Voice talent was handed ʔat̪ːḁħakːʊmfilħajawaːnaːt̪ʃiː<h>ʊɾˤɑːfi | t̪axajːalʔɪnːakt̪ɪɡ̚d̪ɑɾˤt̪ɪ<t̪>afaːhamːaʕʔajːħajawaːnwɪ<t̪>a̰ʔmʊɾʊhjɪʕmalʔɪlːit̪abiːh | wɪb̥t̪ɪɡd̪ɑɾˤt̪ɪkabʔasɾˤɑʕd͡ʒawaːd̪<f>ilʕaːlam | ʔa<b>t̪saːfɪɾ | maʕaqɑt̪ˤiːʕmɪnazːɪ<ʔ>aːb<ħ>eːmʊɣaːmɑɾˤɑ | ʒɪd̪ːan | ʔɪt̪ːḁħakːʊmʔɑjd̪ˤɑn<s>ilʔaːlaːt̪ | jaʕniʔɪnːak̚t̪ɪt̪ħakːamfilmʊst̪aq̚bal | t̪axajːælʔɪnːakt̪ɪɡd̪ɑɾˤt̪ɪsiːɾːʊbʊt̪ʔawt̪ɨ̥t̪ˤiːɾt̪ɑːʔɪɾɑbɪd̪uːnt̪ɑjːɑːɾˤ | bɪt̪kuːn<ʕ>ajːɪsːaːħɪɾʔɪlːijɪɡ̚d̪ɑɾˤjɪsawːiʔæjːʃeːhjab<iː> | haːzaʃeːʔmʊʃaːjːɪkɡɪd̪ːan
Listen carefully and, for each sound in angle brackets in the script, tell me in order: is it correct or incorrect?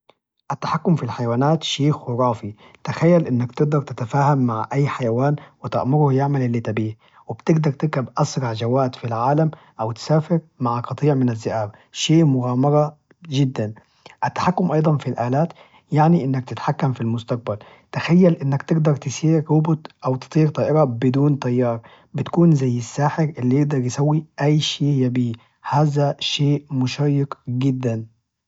incorrect, correct, correct, correct, incorrect, correct, incorrect, incorrect, incorrect, correct

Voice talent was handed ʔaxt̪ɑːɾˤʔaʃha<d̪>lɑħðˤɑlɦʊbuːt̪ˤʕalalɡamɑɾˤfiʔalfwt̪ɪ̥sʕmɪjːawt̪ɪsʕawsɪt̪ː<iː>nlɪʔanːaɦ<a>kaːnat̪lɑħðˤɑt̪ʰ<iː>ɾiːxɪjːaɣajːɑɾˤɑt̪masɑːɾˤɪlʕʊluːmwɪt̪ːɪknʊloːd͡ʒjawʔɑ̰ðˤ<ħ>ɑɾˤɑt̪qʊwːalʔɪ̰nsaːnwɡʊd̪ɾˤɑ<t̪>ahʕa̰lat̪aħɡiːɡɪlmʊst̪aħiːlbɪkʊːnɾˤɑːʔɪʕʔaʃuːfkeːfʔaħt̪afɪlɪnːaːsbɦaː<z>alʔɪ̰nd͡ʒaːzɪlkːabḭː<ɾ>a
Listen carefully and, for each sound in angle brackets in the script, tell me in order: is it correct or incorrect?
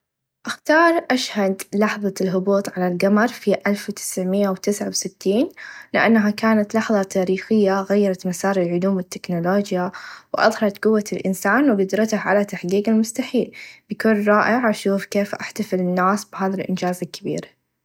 correct, correct, correct, incorrect, incorrect, correct, incorrect, correct

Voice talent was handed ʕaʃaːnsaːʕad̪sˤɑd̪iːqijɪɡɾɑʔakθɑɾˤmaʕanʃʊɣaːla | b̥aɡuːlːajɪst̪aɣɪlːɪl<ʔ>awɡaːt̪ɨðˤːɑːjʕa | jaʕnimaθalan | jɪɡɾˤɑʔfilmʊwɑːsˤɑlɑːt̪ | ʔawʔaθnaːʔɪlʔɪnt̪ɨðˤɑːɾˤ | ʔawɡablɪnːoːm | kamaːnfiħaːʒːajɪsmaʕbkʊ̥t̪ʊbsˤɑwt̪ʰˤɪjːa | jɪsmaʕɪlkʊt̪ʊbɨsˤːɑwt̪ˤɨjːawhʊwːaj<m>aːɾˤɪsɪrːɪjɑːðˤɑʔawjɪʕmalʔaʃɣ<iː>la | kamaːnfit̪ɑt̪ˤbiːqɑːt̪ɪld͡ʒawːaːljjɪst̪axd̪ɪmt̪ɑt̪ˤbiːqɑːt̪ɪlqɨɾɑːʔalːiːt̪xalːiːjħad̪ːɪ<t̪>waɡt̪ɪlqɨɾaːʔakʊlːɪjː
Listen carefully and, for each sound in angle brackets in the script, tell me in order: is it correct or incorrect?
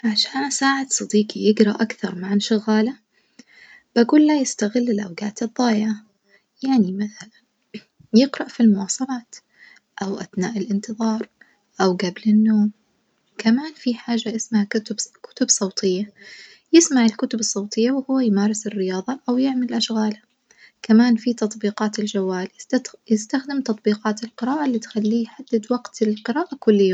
correct, correct, incorrect, incorrect

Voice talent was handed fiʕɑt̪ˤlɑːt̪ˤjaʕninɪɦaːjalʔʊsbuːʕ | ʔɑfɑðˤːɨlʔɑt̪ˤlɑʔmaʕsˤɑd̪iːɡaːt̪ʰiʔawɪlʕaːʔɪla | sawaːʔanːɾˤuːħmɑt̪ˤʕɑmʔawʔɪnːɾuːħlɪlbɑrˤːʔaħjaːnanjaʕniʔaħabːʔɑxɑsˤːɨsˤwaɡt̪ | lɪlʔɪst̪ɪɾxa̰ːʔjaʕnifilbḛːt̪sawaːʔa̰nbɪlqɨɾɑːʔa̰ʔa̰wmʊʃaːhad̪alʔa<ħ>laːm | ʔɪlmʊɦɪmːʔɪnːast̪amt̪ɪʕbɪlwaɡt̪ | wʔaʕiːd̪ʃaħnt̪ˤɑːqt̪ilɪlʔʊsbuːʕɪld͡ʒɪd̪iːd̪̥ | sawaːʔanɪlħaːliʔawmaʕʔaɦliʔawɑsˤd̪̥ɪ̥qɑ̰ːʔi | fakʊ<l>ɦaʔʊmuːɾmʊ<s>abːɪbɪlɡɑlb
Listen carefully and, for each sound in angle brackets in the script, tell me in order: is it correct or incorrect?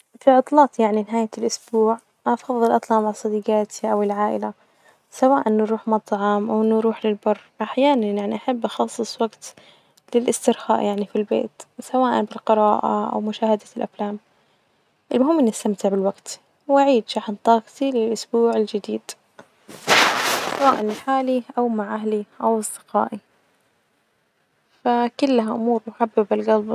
incorrect, incorrect, incorrect

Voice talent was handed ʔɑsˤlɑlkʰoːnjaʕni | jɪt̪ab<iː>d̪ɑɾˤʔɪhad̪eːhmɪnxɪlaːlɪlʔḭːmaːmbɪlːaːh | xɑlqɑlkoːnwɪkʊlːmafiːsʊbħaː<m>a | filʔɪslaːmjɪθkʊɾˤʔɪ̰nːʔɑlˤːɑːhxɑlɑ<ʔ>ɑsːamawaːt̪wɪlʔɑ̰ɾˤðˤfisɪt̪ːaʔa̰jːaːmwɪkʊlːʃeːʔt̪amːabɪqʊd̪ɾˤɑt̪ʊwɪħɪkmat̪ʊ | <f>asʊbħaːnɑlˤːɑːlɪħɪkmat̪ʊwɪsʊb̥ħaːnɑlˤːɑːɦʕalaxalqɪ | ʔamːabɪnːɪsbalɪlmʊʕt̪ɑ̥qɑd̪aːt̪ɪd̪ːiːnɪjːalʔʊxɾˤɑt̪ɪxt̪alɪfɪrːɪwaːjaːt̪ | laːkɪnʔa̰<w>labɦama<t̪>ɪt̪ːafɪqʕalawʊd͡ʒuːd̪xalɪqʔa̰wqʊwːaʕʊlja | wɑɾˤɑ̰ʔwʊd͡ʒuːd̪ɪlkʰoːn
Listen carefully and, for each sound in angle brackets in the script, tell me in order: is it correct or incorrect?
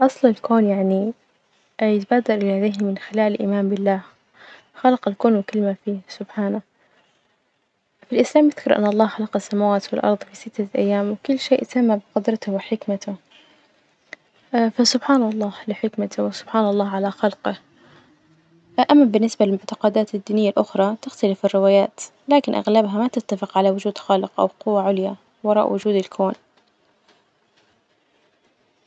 incorrect, incorrect, incorrect, correct, incorrect, correct

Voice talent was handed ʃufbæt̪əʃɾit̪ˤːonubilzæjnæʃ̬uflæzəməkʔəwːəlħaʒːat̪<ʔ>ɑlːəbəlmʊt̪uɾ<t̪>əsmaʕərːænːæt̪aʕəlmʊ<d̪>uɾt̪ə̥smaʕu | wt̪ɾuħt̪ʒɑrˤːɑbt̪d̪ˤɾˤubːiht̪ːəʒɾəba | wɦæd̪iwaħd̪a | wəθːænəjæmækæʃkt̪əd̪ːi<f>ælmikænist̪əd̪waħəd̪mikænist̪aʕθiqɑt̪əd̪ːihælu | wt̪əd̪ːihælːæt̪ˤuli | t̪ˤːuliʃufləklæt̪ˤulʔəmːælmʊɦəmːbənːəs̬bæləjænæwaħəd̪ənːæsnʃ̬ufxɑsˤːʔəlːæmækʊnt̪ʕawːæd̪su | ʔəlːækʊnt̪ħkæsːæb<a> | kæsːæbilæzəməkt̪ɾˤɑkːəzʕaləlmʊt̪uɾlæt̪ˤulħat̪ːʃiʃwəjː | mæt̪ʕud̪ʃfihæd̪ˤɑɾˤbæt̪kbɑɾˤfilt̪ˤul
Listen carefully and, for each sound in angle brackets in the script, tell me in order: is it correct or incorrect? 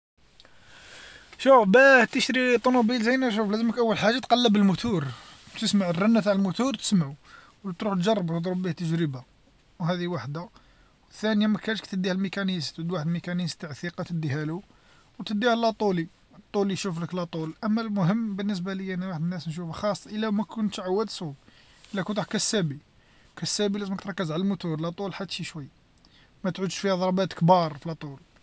incorrect, correct, incorrect, incorrect, incorrect

